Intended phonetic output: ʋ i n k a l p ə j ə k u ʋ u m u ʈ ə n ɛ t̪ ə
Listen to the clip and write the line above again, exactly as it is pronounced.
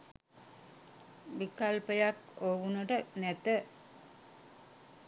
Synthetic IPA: ʋ i k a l p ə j a k o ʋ u n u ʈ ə n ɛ t̪ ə